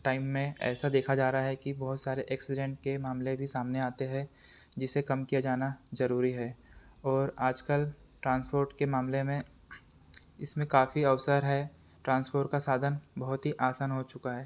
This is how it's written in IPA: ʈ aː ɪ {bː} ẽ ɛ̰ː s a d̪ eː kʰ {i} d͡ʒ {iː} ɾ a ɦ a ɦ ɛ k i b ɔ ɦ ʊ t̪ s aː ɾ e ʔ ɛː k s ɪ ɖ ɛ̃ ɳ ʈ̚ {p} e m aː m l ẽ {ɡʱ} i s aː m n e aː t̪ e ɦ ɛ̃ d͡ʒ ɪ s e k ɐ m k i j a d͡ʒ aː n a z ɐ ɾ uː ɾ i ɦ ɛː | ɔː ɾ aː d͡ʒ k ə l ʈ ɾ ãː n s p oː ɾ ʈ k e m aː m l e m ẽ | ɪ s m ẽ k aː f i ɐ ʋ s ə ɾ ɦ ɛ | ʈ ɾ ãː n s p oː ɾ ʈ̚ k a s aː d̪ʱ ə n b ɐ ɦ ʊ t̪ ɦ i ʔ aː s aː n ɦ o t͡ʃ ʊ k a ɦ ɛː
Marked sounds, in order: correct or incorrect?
incorrect: mː, incorrect: a, incorrect: aː, incorrect: k, incorrect: bʱ

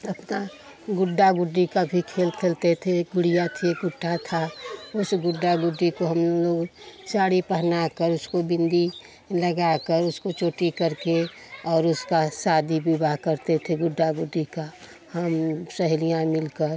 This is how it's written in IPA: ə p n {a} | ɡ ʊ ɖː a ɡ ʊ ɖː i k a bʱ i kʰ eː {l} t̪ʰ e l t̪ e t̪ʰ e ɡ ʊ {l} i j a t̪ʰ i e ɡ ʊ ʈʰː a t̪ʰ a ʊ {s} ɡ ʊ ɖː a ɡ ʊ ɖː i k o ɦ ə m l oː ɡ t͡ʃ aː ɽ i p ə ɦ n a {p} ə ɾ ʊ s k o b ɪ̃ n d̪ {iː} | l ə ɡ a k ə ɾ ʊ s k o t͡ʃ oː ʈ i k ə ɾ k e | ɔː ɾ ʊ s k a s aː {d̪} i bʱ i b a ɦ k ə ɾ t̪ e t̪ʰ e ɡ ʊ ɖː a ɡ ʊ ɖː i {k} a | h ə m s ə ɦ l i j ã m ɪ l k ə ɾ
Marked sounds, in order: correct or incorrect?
correct, correct, incorrect: ɽ, correct, incorrect: k, incorrect: i, correct, correct

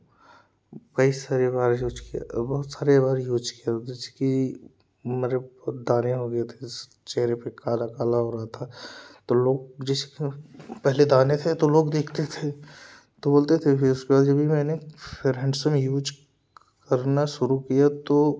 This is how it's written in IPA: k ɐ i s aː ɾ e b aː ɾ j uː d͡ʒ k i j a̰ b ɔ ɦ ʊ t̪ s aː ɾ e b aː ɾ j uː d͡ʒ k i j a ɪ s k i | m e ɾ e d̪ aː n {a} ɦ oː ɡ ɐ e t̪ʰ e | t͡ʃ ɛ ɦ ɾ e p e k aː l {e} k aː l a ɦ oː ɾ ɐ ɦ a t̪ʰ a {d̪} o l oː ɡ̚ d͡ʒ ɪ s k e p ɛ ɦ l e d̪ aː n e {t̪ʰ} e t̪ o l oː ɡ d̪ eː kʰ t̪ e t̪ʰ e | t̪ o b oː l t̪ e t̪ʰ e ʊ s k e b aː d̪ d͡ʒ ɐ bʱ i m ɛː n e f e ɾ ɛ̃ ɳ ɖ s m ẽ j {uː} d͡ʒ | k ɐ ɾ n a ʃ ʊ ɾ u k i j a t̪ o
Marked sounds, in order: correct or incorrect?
incorrect: e, incorrect: a, incorrect: t̪, correct, correct

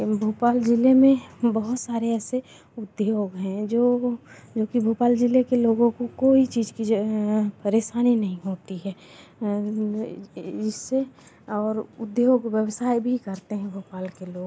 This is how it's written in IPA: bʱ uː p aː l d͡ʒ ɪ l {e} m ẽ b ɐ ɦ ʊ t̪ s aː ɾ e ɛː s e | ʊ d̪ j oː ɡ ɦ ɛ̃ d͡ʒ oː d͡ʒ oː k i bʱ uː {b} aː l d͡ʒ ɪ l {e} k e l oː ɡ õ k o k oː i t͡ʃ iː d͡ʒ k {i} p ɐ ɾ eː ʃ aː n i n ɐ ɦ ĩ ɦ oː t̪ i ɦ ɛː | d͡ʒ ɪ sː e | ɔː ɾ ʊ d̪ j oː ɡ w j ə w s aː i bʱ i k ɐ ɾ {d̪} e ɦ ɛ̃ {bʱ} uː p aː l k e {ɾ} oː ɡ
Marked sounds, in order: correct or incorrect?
correct, incorrect: p, correct, correct, incorrect: t̪, correct, incorrect: l

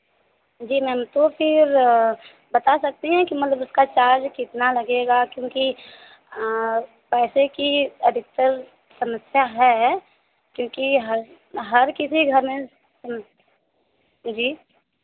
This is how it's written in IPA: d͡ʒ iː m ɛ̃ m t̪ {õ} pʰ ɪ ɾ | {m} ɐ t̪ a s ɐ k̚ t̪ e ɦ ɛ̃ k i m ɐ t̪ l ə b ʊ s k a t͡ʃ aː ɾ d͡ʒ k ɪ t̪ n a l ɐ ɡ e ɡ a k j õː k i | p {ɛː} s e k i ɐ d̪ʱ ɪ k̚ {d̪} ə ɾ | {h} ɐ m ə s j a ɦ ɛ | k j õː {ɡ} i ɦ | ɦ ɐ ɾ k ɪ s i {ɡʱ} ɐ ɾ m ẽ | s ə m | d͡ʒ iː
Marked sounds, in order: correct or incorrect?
incorrect: o, incorrect: b, correct, incorrect: t̪, incorrect: s, incorrect: k, correct

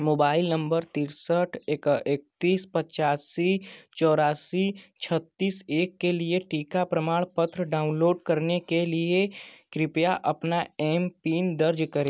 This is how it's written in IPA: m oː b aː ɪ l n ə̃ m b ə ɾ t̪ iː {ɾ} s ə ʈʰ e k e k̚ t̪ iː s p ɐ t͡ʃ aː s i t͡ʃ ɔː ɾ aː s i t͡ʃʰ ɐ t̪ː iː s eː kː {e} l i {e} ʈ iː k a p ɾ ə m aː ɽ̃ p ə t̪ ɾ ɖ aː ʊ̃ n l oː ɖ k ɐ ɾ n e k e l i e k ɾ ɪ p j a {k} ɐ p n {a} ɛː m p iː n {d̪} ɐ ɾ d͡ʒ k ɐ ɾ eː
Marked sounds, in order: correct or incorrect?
correct, correct, correct, incorrect: ʔ, correct, correct

